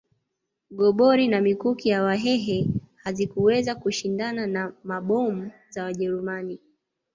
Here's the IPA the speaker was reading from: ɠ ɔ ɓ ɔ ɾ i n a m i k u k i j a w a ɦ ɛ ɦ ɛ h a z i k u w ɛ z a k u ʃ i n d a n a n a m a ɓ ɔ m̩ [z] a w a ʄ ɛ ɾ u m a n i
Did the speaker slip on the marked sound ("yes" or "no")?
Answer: no